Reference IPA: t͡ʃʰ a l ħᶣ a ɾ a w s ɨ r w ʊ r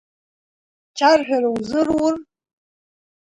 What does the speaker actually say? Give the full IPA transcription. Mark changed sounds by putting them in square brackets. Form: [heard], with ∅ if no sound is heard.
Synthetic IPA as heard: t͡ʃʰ a [r] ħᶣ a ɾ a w [z] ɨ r w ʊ r